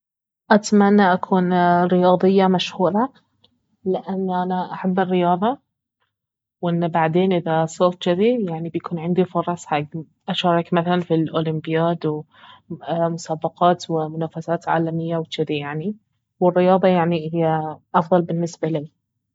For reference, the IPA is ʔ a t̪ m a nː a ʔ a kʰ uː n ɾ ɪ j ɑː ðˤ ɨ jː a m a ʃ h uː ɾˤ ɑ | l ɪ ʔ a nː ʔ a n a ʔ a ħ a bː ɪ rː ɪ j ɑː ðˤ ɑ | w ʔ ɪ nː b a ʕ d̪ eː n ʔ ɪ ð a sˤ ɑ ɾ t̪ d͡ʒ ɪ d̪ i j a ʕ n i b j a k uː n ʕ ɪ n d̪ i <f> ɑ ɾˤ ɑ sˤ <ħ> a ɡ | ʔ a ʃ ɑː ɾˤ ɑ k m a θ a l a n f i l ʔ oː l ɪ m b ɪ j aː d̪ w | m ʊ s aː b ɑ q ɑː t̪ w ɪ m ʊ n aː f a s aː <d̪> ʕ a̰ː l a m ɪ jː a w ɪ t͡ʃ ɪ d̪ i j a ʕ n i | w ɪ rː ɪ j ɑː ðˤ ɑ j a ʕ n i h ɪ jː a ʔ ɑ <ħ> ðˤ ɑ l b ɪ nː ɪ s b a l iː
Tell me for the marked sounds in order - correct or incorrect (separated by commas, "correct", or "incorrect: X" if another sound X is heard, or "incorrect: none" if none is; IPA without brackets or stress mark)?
correct, correct, incorrect: t̪, incorrect: f